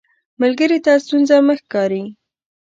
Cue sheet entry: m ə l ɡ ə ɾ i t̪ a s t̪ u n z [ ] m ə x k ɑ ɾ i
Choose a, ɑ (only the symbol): a